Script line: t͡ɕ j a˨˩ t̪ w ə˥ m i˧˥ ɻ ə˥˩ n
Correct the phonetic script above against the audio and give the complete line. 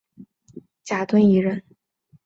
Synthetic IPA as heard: t͡ɕ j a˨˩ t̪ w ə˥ n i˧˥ ɻ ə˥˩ n